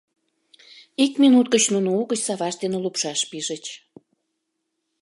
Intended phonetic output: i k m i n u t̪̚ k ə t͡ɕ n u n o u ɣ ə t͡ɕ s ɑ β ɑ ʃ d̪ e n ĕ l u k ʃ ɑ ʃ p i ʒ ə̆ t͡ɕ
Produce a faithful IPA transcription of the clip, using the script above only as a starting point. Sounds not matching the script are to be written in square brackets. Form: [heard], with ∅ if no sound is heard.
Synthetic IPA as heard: i k m i n u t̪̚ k ə t͡ɕ n u n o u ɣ ə t͡ɕ s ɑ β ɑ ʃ d̪ e n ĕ l u [p] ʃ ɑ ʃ p i ʒ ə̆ t͡ɕ